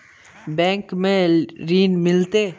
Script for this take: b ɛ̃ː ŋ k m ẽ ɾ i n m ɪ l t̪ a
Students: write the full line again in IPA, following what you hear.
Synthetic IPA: b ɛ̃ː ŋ k m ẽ ɾ iː n m ɪ l t̪ e